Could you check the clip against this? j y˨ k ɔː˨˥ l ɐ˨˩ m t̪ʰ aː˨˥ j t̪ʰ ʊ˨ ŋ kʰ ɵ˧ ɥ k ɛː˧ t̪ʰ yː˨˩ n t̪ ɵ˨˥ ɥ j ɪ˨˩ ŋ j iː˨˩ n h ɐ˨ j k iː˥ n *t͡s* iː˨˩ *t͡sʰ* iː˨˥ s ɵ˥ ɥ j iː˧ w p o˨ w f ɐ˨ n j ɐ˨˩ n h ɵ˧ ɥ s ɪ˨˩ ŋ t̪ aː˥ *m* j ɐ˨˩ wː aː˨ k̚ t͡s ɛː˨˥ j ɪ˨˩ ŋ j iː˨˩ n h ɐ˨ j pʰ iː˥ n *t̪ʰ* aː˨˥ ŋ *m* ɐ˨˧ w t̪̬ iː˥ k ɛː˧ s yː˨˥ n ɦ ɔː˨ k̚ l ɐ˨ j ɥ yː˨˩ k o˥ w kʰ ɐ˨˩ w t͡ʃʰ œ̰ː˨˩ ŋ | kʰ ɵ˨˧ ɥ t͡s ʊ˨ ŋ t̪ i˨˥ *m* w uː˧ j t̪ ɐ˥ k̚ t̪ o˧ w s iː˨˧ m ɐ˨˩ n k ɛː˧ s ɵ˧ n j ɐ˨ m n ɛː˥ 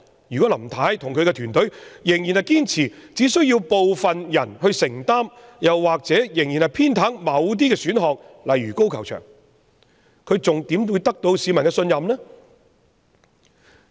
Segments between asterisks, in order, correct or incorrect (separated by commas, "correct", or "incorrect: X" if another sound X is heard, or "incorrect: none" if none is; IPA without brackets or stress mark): incorrect: t͡sʰ, incorrect: t͡s, correct, correct, correct, correct